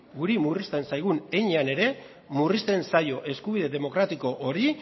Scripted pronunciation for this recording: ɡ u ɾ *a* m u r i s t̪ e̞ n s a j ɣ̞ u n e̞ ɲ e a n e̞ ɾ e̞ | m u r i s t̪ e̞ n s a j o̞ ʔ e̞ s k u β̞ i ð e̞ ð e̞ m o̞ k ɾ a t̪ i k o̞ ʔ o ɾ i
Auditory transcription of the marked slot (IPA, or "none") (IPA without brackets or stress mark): i